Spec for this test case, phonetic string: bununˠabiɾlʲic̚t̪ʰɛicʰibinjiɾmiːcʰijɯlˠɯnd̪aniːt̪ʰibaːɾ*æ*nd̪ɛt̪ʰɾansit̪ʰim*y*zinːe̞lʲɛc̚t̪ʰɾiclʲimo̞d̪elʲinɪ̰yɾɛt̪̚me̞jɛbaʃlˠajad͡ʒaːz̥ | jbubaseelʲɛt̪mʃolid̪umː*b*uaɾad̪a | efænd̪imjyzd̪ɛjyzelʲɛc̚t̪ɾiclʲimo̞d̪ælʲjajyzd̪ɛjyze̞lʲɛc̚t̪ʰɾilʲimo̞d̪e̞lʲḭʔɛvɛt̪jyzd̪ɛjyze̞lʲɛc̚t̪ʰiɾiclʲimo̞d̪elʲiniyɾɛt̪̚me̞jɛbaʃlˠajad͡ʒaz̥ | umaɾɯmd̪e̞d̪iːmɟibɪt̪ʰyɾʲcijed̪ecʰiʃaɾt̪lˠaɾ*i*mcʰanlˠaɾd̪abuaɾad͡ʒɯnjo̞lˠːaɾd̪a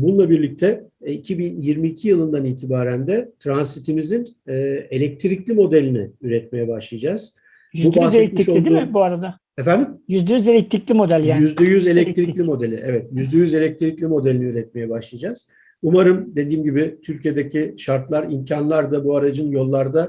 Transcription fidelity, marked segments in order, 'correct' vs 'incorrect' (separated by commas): correct, incorrect, correct, correct